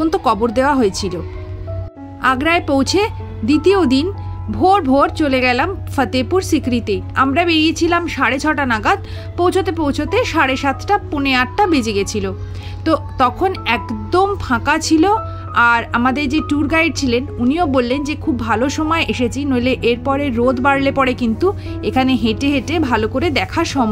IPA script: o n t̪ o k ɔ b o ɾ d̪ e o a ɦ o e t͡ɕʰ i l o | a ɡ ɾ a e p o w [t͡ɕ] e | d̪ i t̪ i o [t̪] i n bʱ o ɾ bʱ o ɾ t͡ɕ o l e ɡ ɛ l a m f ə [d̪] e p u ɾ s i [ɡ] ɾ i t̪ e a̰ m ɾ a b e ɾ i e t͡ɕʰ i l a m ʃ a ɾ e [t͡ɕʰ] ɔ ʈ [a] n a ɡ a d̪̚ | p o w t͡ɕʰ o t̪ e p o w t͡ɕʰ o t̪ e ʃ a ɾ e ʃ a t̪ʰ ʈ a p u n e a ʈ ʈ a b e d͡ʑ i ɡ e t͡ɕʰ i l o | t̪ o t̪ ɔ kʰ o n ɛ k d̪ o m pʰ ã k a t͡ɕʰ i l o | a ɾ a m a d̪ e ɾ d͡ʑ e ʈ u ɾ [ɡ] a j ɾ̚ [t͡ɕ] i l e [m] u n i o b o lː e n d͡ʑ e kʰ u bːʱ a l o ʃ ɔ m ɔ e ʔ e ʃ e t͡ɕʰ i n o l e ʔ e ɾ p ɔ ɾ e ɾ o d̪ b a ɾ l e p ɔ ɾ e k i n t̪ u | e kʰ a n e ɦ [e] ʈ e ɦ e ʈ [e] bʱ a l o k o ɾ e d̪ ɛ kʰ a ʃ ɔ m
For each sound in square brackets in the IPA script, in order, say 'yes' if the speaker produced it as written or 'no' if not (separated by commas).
no, no, no, no, yes, yes, yes, no, no, yes, yes